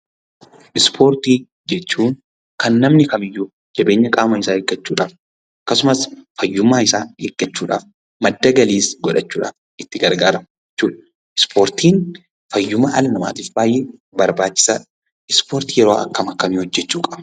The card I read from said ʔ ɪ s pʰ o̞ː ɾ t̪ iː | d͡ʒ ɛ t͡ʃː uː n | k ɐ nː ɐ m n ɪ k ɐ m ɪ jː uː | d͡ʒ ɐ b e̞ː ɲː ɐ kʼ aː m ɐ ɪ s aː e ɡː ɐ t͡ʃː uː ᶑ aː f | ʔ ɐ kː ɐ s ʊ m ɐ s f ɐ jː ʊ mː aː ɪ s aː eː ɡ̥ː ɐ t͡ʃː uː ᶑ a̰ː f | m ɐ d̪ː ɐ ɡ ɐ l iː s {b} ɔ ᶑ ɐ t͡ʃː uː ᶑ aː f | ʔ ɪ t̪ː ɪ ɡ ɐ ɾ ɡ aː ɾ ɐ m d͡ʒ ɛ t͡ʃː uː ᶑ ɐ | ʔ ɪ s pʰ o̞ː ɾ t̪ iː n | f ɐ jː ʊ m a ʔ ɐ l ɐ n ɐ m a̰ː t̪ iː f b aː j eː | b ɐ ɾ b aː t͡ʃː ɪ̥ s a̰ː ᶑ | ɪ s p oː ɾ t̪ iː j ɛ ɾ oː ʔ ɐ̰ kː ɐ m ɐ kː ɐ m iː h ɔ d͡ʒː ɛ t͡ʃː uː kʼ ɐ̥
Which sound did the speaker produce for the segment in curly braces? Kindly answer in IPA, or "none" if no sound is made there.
ɡ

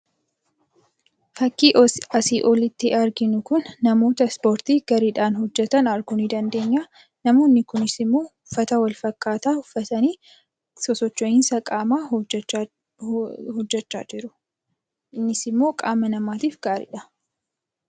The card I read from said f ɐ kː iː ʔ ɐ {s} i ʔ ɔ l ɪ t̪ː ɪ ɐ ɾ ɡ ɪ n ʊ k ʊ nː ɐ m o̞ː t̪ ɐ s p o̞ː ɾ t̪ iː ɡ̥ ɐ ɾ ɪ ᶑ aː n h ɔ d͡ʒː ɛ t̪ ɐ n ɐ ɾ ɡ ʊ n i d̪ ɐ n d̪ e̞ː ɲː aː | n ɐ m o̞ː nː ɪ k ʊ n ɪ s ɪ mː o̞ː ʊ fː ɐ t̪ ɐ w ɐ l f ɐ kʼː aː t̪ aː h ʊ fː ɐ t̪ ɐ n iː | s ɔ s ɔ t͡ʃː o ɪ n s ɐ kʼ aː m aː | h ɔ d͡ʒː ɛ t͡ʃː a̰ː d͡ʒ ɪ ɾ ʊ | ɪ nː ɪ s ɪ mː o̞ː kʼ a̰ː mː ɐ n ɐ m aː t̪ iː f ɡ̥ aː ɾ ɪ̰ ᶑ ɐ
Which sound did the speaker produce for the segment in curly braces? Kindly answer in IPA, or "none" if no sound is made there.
s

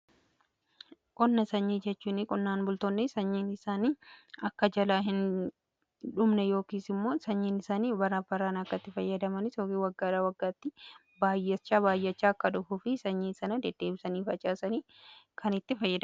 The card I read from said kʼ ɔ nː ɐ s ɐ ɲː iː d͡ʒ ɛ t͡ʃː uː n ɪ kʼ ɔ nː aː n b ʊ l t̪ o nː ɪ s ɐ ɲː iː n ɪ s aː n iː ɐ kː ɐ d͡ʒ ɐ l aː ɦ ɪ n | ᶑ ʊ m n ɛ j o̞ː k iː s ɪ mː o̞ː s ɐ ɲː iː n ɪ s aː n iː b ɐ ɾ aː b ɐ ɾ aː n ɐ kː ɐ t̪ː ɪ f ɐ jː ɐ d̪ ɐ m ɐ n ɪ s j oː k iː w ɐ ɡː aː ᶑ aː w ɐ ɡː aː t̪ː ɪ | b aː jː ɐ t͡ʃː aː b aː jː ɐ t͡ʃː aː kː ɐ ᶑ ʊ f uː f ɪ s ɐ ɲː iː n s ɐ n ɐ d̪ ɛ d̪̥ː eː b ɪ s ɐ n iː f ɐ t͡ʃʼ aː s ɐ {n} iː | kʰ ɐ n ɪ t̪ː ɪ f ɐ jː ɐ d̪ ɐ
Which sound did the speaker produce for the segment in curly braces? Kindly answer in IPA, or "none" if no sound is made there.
n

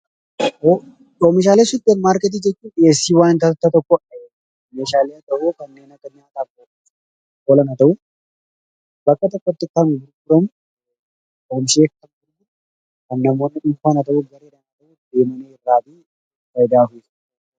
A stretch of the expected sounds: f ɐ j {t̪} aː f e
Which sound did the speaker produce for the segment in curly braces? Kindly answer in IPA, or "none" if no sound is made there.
d̪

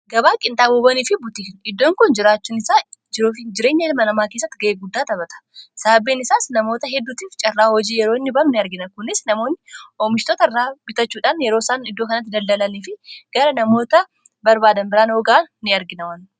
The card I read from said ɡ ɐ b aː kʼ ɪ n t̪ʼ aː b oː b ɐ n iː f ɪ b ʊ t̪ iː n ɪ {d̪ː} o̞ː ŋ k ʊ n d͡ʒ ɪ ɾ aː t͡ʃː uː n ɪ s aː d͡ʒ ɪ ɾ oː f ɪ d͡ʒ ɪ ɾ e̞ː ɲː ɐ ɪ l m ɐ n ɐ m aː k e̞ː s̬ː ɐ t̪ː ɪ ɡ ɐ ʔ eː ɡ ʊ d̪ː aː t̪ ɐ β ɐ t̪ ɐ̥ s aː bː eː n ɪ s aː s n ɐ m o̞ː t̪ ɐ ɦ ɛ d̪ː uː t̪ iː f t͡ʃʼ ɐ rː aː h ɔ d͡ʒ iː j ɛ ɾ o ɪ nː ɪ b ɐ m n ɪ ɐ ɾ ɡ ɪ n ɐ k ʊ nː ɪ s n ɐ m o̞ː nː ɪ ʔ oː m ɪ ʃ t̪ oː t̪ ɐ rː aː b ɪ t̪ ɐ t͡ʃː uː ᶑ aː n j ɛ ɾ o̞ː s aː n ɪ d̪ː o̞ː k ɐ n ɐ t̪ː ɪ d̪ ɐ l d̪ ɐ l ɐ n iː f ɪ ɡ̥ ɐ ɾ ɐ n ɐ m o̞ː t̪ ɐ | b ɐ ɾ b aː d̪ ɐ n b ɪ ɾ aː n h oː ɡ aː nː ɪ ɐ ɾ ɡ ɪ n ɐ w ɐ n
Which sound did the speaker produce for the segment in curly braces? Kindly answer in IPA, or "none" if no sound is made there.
d̪ː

